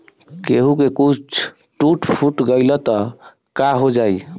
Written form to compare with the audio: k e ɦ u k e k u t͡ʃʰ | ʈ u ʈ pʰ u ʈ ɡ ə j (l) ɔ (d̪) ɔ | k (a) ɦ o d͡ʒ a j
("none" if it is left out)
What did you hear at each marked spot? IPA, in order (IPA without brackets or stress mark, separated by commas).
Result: l, t̪, a